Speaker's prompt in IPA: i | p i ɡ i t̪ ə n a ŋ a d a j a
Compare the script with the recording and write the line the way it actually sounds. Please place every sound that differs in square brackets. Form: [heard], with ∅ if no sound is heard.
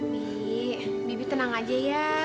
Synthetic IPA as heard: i | [b] i [b] i t̪ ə n a ŋ a [d͡ʒ] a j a